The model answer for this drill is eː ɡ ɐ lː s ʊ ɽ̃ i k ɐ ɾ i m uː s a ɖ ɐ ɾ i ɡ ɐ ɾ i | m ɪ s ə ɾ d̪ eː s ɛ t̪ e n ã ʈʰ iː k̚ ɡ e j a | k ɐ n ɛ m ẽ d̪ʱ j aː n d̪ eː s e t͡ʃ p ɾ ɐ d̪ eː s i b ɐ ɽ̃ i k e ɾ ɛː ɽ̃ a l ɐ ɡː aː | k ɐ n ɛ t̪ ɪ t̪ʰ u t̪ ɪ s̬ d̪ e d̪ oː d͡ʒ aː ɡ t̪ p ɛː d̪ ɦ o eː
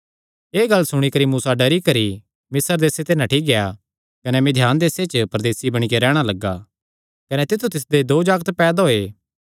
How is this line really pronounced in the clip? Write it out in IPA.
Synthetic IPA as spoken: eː ɡ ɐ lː s ʊ ɽ̃ i k ɐ ɾ i m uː s a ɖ ɐ ɾ i k ɐ ɾ i | m ɪ s ə ɾ d̪ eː s e t̪ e n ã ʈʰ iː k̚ ɡ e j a | k ɐ n ɛ m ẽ d̪ʱ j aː n d̪ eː s e t͡ʃ p ɾ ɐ d̪ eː s i b ɐ ɽ̃ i k e ɾ ɛː ɽ̃ a l ɐ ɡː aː | k ɐ n ɛ t̪ ɪ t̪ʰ u t̪ ɪ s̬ d̪ e d̪ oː d͡ʒ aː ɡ t̪ p ɛː d̪ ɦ o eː